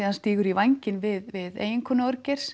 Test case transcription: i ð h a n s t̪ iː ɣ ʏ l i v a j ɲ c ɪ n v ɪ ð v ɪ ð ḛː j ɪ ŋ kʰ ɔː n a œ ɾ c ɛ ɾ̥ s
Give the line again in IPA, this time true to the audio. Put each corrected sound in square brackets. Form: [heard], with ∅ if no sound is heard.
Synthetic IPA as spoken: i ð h a n s t̪ iː ɣ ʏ [ɾ] i v a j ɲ c ɪ n v ɪ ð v ɪ ð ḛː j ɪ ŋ kʰ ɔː n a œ ɾ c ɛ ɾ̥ s